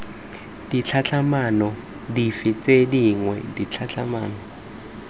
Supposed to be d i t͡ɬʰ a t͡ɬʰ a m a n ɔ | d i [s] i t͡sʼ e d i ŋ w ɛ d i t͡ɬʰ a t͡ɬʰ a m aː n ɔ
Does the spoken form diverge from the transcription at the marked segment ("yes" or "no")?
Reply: yes